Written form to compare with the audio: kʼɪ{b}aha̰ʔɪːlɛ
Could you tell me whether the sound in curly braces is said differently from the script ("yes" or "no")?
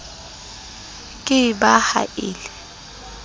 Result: no